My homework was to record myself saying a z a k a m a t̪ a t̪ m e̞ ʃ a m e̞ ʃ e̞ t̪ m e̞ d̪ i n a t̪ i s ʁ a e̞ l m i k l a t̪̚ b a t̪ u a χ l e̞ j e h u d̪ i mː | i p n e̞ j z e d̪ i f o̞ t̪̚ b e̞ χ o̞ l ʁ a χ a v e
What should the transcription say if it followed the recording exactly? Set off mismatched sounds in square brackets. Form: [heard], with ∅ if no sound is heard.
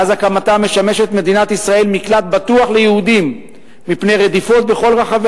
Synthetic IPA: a z a k a m a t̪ a [∅] m e̞ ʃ a m e̞ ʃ e̞ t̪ m e̞ d̪ i n a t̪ i s ʁ a e̞ l m i k l a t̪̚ b a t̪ u a χ l e̞ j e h u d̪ i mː | i p n e̞ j [ʁ] e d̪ i f o̞ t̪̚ b e̞ χ o̞ l ʁ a χ a v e

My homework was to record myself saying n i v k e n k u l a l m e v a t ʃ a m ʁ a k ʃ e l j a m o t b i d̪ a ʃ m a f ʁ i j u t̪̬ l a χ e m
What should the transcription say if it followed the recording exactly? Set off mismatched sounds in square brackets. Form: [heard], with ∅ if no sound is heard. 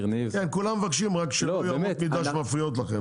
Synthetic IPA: n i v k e n k u l a [∅] m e v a [k] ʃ [i] m ʁ a k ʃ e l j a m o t [m] i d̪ a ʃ m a f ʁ i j [o] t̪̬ l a χ e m

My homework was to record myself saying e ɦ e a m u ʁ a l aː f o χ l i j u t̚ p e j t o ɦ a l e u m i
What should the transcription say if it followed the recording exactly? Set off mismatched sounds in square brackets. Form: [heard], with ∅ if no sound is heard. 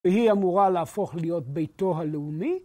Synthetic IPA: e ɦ [i] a m u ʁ a l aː f o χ l i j [o] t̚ [b] e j t o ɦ a l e u m i

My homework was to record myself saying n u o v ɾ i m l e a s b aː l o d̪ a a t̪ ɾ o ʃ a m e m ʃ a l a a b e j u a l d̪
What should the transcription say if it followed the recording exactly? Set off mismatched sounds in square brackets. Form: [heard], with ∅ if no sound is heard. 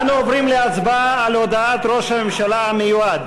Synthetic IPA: n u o v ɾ i m l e a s b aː l o d̪ a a t̪ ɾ o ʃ a m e m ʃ a l a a [m] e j u a [∅] d̪

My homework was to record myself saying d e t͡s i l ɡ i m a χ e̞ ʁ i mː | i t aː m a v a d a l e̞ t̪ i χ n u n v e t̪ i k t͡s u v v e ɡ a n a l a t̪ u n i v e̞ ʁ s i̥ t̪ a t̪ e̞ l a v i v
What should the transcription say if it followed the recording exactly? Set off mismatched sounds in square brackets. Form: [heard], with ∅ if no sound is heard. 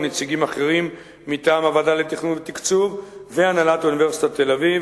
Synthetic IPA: [n] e t͡s i [∅] ɡ i m a χ e̞ ʁ i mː | i t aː m a v a d a l e̞ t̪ i χ n u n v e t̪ i k t͡s u v v e [∅] a n a l a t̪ u n i v e̞ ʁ s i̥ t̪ a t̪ e̞ l a v i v

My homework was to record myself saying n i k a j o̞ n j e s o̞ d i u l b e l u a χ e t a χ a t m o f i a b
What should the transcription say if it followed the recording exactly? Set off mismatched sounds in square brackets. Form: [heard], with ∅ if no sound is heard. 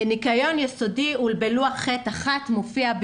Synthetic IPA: n i k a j o̞ n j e s o̞ d i u l b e l u a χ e t a χ a t m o f i a b

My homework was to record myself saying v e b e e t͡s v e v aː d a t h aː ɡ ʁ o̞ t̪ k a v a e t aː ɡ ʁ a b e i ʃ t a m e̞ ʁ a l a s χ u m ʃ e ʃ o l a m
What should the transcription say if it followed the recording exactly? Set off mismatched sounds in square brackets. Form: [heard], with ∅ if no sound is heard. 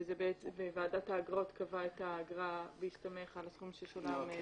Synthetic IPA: [z] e b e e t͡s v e v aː d a t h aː ɡ ʁ o̞ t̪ k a v a e t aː ɡ ʁ a b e i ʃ t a m e̞ [χ] a l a s χ u m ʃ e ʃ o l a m

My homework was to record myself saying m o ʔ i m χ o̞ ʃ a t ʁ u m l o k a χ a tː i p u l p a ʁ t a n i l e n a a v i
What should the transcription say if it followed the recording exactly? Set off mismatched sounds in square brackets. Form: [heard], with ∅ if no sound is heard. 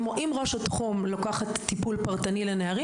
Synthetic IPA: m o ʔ i m [ʁ] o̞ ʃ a t [χ] u m l o k a χ a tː i p u l p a ʁ t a n i l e n [e] a [ʁ] i

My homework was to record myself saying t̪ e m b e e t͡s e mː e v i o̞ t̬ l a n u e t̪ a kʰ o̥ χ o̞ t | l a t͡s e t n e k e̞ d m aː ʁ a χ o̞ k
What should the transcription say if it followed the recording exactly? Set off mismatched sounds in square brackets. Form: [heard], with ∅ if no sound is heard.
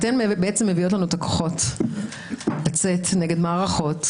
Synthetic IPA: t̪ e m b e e t͡s e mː e v i o̞ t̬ l a n u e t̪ a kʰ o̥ χ o̞ t | l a t͡s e t n e [ɡ] e̞ d m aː ʁ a χ o̞ [t]

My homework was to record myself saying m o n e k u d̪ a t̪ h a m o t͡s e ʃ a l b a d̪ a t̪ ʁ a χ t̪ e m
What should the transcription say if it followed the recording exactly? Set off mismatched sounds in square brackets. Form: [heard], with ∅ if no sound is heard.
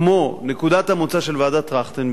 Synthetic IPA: m o n e k u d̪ a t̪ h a m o t͡s [a] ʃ [e] l [v] a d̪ a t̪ ʁ a χ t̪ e [n]

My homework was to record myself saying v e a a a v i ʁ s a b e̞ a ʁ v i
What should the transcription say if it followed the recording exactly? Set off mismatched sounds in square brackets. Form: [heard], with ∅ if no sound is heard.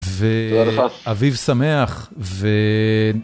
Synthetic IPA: v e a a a v i [v] s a [m] e̞ a [χ] v [e]

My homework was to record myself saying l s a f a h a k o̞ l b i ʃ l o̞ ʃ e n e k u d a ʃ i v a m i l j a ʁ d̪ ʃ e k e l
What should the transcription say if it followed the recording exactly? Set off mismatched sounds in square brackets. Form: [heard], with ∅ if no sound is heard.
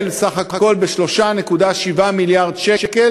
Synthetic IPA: l s a [χ] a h a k o̞ l b [e] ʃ l o̞ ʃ [a] n e k u d a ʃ i v a m i l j a ʁ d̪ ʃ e k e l

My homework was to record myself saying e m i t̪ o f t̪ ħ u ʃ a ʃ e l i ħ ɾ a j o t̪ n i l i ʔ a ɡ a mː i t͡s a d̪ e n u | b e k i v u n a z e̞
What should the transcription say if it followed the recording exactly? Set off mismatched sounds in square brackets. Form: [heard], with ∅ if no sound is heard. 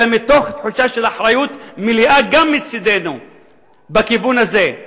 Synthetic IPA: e m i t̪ o [χ] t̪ ħ u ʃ a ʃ e l [a] ħ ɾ a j [u] t̪ [m] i l i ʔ a ɡ a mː i t͡s [i] d̪ e n u | b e k i v u n a z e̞

